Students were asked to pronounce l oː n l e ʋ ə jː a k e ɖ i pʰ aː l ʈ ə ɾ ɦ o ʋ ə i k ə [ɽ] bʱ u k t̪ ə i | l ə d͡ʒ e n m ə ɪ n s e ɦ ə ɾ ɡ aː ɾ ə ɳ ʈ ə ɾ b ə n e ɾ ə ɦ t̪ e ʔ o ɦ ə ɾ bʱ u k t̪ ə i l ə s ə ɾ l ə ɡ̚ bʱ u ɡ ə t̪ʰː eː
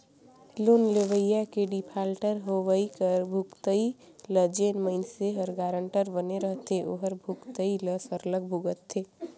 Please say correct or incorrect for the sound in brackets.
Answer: incorrect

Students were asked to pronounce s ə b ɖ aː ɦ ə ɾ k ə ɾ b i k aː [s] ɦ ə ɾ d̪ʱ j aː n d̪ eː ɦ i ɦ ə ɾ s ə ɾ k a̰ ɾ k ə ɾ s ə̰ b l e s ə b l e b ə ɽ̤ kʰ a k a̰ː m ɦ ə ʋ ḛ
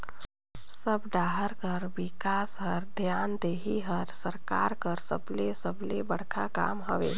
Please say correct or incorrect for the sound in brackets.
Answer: correct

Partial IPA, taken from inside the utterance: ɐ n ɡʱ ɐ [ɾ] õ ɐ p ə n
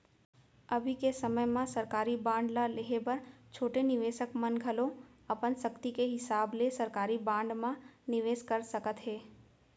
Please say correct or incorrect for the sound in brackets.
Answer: incorrect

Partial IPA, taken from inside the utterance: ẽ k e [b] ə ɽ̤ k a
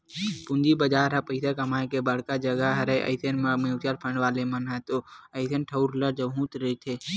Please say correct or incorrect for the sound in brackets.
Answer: correct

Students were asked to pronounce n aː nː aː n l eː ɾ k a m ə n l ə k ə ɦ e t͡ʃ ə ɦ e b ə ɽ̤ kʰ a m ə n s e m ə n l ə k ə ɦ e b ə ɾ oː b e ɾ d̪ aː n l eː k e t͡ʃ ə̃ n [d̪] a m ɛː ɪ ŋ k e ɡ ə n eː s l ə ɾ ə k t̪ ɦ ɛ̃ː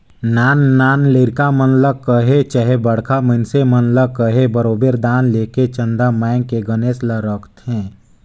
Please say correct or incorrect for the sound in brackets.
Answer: correct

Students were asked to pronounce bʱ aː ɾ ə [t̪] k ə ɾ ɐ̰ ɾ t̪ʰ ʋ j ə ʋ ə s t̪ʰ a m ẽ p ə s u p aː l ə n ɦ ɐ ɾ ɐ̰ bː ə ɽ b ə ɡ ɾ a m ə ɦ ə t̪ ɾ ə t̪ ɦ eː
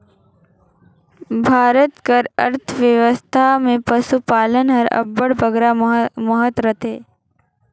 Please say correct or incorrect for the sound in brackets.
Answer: correct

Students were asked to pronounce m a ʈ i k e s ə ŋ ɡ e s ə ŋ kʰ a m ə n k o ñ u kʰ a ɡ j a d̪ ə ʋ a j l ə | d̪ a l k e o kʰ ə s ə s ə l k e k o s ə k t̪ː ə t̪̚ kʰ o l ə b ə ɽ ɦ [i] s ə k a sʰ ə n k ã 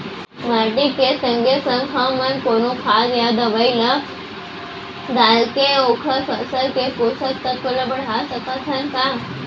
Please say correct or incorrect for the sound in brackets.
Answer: incorrect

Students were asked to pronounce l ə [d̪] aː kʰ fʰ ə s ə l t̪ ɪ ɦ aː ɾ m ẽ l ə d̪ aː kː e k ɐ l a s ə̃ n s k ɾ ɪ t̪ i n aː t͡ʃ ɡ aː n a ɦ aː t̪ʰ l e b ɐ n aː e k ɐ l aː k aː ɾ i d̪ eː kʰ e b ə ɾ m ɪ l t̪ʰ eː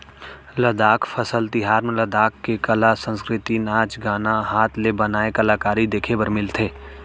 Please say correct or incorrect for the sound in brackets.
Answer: correct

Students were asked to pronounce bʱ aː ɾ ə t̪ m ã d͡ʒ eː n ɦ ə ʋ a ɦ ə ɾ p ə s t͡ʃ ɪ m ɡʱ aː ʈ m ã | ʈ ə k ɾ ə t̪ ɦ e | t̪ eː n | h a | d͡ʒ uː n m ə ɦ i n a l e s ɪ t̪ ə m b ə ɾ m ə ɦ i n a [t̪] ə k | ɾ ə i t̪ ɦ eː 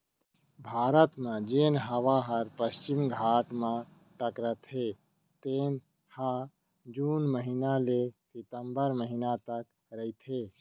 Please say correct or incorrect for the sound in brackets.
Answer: correct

